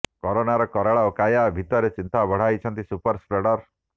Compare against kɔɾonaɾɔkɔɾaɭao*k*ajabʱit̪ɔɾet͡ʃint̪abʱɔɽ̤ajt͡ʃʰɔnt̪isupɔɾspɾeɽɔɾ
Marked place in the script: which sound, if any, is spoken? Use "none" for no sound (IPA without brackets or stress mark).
k